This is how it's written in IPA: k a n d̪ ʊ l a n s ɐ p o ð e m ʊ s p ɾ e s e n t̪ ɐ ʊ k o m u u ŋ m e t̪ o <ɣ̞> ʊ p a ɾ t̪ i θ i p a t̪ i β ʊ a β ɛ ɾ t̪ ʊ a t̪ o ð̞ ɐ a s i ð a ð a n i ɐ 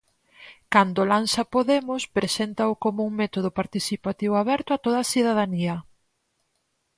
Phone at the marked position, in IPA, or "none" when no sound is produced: ð̞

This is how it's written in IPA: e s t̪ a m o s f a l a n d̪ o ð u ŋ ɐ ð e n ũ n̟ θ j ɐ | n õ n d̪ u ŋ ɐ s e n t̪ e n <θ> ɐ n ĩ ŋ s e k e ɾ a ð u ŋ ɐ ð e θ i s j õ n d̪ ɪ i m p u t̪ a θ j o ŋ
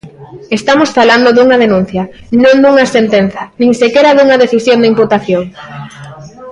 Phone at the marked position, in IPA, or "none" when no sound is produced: θ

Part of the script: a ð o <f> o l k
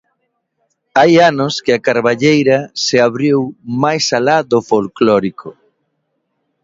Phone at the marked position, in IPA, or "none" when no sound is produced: f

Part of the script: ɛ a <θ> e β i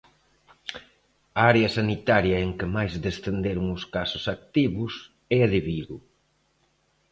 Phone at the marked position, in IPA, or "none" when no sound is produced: ð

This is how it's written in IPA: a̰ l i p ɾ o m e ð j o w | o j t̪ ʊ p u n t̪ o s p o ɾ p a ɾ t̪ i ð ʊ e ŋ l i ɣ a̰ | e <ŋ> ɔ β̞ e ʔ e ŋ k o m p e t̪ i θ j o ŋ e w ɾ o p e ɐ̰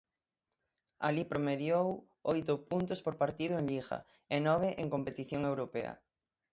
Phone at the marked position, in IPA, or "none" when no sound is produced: n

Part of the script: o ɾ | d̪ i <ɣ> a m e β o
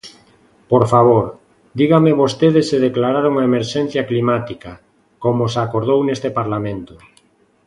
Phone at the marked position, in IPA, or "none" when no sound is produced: ɣ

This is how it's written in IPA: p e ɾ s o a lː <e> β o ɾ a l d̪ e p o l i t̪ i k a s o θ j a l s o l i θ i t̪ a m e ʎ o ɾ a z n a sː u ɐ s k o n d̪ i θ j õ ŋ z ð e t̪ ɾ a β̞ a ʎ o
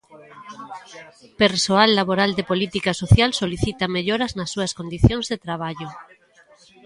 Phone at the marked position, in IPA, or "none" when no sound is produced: a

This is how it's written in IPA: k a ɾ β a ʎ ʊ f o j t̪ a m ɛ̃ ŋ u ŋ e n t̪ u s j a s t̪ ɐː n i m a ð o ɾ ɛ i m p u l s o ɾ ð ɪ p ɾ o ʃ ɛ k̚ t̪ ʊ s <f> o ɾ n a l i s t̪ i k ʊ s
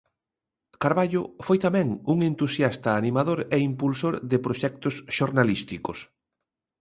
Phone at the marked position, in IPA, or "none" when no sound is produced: ʃ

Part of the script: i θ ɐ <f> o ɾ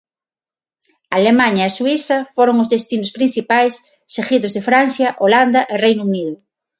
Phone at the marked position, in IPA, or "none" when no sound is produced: f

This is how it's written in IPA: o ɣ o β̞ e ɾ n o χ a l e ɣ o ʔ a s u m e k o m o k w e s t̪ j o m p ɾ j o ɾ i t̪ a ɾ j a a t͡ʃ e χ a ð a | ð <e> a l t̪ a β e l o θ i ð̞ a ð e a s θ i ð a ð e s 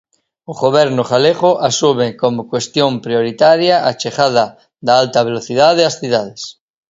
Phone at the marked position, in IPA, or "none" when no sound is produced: a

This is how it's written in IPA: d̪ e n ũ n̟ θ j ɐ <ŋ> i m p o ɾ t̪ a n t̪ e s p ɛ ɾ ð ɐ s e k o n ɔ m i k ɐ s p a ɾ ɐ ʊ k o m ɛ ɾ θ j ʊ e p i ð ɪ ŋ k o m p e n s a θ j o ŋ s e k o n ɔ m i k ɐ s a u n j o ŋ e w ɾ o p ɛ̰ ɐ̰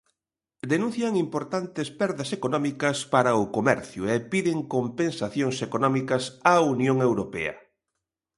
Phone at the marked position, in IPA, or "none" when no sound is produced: ŋ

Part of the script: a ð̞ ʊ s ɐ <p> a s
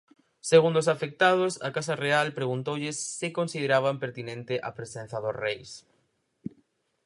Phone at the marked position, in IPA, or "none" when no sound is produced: k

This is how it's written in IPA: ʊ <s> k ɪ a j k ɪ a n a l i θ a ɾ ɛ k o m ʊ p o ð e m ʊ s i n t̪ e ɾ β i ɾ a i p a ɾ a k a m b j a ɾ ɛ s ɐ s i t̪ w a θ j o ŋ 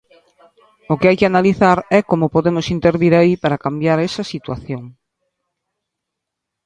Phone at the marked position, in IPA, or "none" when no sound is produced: none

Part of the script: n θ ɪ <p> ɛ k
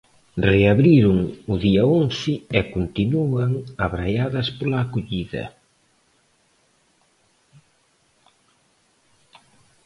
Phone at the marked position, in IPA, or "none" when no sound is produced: none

